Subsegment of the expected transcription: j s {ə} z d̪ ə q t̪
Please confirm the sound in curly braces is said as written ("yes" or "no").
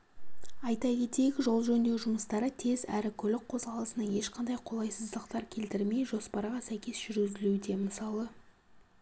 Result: yes